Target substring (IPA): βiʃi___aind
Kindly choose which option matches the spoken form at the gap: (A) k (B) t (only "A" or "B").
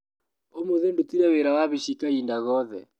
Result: A